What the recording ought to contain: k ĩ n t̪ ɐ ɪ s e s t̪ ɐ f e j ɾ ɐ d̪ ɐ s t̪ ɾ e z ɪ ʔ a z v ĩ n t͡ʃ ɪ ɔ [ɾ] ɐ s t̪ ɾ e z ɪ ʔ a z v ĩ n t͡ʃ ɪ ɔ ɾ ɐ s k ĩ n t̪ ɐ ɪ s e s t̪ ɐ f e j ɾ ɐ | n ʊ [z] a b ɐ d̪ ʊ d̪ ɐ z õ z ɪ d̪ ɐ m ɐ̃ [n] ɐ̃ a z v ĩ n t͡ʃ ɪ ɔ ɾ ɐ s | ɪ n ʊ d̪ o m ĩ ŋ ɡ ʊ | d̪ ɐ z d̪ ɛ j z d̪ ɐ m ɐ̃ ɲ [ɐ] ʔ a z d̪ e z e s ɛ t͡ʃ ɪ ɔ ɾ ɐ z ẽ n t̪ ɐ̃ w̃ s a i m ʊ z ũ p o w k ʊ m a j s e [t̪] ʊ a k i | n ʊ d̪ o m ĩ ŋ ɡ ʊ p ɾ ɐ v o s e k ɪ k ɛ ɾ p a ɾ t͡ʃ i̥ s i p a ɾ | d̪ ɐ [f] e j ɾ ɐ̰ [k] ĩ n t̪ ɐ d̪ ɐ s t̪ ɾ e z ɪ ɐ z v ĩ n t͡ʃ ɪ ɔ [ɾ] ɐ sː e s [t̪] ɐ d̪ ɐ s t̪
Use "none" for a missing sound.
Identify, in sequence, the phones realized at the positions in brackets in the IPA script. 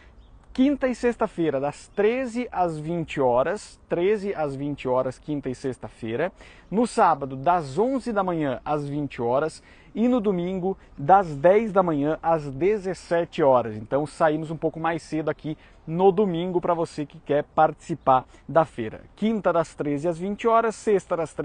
ɾ, s, ɲ, ɐ̃, d̪, f, k, ɾ, t̪

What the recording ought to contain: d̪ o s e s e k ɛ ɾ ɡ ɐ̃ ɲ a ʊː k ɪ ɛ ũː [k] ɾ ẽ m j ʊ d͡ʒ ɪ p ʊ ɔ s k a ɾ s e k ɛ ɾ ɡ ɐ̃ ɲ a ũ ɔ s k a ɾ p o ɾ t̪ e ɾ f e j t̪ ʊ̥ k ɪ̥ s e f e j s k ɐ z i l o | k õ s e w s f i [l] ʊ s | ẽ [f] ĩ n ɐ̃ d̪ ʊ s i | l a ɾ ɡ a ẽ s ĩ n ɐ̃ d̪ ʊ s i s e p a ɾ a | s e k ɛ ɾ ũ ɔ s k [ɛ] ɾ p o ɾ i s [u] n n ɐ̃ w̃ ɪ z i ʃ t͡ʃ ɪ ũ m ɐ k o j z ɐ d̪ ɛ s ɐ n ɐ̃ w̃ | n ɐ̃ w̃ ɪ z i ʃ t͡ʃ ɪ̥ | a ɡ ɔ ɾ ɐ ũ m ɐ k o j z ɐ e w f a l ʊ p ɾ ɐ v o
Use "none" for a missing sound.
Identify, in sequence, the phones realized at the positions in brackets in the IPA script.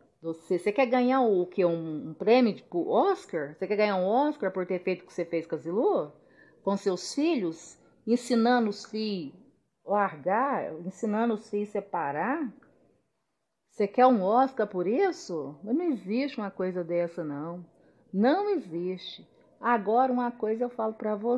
p, ʎ, s, a, ʊ

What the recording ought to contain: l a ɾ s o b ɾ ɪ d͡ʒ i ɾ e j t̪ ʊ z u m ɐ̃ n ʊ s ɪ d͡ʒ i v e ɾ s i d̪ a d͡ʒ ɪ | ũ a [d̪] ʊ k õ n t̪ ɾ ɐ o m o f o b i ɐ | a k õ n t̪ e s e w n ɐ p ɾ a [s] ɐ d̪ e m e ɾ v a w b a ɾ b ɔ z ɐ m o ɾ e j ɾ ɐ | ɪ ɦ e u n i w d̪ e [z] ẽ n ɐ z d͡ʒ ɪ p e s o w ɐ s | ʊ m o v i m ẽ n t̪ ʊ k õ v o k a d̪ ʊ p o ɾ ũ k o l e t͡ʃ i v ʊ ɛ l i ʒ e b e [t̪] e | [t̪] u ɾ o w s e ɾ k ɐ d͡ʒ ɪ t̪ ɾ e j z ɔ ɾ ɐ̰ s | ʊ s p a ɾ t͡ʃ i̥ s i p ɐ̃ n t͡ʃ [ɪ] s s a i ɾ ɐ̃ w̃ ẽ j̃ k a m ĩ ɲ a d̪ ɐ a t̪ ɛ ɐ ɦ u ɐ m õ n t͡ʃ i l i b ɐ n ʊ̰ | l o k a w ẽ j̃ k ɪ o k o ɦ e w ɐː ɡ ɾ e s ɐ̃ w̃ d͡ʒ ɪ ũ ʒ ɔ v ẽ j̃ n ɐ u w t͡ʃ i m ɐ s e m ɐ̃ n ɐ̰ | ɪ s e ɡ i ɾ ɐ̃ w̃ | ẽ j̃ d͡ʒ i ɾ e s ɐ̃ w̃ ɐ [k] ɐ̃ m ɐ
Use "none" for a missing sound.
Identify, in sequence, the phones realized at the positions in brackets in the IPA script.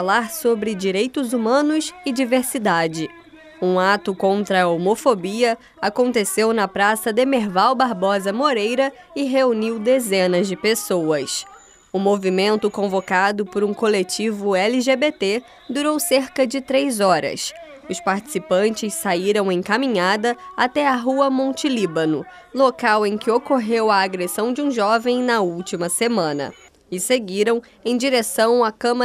t̪, s, z, t̪, d̪, ɪ, k

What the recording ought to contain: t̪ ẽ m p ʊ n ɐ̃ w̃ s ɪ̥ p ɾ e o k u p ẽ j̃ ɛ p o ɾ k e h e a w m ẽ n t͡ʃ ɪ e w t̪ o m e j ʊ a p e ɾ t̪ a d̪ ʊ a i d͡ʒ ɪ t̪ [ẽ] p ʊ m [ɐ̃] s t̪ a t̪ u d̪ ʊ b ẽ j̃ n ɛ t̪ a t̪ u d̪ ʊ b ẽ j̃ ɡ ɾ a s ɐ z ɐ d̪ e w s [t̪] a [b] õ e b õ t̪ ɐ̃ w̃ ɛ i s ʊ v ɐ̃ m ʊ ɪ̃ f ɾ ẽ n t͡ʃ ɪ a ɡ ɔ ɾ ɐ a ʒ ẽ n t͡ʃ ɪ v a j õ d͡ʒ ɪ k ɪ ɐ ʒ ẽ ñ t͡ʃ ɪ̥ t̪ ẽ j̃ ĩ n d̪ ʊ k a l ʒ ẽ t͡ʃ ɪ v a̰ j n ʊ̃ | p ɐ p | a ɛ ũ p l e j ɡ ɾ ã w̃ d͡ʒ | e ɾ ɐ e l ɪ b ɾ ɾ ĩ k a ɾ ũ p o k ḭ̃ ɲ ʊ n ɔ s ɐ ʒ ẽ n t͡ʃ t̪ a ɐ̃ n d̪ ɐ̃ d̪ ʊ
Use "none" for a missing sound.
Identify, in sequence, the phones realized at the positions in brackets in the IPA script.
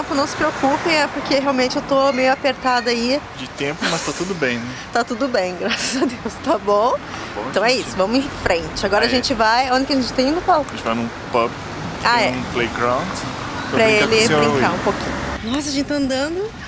ẽ, ɐ, t̪, b

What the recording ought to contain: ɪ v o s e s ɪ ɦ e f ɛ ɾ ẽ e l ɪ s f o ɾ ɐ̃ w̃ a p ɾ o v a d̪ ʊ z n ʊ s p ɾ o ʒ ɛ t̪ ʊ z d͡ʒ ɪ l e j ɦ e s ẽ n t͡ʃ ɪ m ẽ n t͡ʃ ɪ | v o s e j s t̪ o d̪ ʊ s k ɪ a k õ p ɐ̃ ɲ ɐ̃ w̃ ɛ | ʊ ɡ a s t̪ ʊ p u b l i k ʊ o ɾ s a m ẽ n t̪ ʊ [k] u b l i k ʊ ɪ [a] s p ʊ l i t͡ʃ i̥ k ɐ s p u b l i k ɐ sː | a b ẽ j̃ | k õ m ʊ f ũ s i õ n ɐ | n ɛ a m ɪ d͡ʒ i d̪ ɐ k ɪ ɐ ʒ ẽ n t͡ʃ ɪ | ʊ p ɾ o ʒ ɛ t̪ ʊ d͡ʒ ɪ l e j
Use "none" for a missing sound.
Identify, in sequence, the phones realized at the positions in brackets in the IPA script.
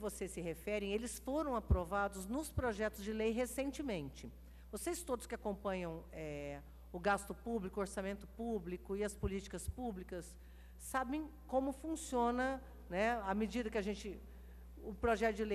p, ɐ

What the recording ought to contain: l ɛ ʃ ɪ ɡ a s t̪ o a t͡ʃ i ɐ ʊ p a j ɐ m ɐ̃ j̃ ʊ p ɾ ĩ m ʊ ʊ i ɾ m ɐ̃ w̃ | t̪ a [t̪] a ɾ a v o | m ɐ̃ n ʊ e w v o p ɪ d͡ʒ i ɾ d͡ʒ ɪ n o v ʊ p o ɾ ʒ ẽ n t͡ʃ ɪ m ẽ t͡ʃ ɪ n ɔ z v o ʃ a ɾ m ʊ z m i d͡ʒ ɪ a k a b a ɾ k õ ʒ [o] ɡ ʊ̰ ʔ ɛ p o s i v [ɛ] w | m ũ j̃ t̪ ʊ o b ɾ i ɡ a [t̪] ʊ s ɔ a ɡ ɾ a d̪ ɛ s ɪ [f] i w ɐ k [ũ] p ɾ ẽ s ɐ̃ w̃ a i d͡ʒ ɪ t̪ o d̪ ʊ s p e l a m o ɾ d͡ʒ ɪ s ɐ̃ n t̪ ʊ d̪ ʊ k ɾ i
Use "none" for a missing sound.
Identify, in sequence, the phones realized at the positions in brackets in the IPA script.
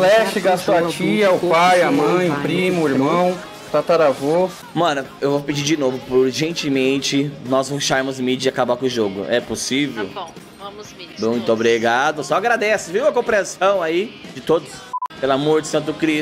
t̪, o, e, d̪, v, õ

